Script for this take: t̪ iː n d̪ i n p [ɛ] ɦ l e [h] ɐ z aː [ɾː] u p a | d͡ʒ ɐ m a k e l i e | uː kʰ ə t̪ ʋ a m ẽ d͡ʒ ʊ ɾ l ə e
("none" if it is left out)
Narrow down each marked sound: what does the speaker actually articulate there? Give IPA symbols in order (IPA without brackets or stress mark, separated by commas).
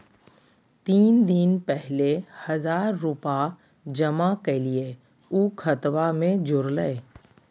ɛ, h, ɾː